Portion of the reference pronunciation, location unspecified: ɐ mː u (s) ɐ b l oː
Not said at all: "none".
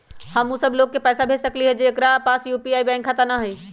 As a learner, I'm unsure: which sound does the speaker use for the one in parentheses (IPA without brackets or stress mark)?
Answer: s